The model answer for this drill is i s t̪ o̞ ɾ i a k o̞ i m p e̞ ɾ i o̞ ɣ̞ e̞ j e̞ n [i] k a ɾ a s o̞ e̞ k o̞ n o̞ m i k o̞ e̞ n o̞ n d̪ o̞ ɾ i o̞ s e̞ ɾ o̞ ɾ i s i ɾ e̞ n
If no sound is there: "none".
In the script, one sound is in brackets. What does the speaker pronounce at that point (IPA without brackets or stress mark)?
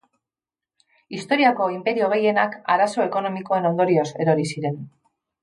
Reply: a